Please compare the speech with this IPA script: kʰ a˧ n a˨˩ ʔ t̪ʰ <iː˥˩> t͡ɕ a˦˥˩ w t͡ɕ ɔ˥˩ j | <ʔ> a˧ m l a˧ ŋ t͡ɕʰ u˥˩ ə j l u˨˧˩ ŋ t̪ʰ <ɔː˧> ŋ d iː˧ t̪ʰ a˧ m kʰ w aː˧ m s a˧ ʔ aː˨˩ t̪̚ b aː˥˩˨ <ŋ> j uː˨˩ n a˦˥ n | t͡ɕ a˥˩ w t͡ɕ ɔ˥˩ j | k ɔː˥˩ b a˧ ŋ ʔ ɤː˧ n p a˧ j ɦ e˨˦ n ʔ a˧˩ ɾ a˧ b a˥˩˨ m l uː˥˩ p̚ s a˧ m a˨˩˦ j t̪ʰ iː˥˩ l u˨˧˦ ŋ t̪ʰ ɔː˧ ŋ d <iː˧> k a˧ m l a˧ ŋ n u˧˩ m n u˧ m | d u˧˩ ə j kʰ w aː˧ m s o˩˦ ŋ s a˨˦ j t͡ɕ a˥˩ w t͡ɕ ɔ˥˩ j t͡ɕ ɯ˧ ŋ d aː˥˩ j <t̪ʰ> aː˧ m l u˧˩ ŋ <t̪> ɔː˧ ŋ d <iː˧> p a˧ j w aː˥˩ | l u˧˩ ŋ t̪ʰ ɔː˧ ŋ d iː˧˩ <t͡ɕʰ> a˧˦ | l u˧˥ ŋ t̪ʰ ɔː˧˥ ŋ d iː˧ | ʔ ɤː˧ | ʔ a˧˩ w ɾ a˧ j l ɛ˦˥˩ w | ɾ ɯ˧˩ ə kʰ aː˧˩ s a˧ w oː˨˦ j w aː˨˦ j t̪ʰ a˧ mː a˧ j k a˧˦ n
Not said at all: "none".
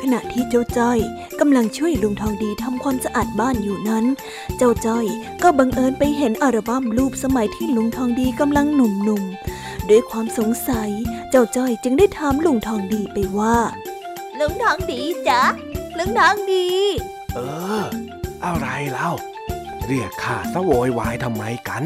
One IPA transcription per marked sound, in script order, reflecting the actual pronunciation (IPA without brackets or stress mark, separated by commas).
iː˥˩, k, ɔː˧, n, iː˧, t̪ʰ, t̪ʰ, iː˧, t͡ɕ